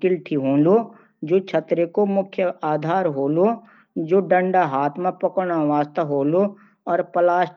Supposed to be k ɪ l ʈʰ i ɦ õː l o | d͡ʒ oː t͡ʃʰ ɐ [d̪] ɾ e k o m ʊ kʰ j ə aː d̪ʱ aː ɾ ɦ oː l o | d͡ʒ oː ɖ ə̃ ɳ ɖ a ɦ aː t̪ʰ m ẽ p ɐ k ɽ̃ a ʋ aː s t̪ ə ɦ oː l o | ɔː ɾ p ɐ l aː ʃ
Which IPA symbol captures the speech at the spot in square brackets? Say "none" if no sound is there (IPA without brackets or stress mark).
t̪